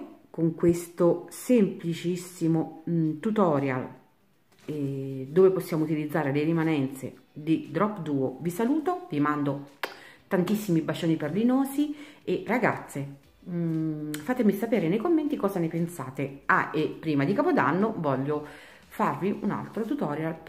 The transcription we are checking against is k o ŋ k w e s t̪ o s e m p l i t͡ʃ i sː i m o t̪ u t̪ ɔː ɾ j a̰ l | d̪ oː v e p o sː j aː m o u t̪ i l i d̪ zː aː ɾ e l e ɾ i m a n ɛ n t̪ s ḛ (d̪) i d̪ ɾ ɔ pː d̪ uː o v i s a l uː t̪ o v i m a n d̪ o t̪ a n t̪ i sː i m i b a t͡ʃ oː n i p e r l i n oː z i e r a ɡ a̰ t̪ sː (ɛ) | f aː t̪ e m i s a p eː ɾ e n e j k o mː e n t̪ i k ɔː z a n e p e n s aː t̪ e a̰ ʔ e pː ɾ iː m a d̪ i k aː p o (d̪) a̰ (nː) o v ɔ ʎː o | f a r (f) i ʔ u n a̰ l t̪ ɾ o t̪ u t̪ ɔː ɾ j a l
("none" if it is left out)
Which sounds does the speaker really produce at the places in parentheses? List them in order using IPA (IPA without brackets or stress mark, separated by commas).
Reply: d̪, e, d̪, nː, v